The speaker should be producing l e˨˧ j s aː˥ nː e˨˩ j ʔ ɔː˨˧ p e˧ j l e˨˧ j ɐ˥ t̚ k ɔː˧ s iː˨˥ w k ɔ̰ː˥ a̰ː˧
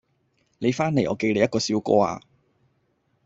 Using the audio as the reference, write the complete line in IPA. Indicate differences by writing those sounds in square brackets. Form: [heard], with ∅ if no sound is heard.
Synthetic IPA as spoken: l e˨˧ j [f] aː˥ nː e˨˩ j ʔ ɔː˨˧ [k] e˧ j l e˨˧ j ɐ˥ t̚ k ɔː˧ s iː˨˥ w k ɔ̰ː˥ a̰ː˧